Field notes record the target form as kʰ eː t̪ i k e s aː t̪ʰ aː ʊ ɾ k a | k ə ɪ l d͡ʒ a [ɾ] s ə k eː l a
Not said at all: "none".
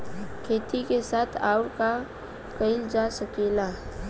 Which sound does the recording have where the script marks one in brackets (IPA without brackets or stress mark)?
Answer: none